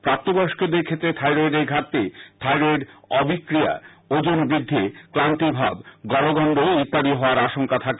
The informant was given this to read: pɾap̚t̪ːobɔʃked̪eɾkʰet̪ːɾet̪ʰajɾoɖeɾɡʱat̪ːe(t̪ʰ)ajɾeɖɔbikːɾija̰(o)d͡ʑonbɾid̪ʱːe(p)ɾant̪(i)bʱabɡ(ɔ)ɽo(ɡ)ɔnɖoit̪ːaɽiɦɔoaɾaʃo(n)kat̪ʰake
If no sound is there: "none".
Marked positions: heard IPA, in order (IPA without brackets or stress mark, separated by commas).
t̪ʰ, o, k, i, ɔ, ɡ, ŋ